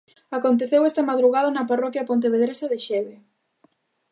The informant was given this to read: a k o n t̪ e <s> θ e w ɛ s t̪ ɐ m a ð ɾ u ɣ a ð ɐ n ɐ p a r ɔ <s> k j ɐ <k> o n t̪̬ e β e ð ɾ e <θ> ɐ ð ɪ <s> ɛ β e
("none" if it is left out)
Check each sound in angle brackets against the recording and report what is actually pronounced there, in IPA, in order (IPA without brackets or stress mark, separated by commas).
none, none, p, s, ʃ